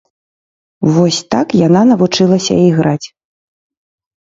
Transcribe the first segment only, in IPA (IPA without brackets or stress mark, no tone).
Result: v